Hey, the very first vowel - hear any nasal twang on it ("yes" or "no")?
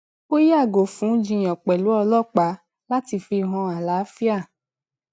no